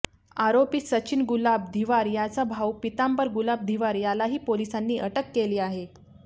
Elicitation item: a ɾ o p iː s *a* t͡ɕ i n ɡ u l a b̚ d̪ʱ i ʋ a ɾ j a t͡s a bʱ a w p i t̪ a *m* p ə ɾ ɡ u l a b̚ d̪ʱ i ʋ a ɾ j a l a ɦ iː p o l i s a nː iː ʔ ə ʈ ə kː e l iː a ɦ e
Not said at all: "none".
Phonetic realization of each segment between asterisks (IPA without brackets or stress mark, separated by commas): ə, m